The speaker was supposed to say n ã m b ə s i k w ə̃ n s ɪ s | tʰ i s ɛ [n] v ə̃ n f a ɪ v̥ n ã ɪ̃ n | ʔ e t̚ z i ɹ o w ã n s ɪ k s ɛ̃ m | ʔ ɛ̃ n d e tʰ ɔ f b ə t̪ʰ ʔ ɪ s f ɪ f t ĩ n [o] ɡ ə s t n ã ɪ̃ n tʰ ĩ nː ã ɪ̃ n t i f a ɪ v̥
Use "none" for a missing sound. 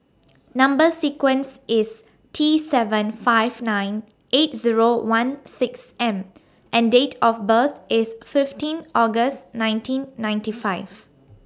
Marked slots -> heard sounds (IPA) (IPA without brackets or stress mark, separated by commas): none, ɔ